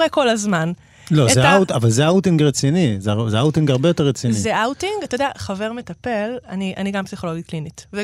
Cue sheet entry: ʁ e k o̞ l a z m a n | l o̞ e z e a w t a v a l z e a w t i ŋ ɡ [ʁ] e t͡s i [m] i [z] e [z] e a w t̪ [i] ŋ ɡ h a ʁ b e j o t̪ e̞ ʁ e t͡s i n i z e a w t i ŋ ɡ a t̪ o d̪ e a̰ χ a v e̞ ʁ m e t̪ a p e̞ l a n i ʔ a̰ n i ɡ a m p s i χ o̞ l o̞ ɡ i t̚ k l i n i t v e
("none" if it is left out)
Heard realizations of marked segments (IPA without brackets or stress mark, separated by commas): ʁ, n, z, z, i